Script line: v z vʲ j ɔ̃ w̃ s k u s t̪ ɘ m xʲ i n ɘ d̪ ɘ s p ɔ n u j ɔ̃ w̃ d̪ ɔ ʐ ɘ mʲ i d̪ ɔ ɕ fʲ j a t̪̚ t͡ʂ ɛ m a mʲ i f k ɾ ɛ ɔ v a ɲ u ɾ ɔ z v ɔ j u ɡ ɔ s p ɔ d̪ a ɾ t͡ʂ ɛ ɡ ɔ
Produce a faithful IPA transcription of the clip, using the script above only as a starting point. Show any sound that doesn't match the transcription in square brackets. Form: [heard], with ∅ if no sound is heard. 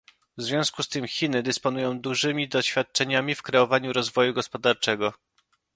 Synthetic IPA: v z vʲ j ɔ̃ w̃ s k u s t̪ ɘ m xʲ i n ɘ d̪ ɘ s p ɔ n u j ɔ̃ w̃ d̪ [u] ʐ ɘ mʲ i d̪ ɔ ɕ fʲ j a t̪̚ t͡ʂ ɛ [ɲ] a mʲ i f k ɾ ɛ ɔ v a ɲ u ɾ ɔ z v ɔ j u ɡ ɔ s p ɔ d̪ a ɾ t͡ʂ ɛ ɡ ɔ